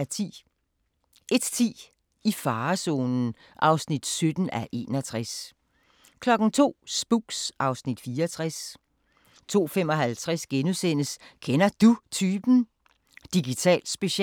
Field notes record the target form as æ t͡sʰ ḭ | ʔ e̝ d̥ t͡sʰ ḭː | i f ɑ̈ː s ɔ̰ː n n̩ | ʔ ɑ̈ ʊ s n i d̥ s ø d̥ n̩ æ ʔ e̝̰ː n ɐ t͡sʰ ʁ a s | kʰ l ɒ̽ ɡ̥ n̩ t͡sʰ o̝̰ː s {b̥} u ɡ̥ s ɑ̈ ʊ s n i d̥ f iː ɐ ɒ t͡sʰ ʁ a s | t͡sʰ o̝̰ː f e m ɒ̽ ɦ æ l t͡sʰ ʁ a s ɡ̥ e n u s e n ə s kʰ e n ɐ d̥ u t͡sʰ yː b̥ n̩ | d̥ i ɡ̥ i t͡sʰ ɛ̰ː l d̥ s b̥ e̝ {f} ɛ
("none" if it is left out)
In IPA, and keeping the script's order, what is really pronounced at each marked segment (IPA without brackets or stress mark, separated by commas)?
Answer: b̥, ɕ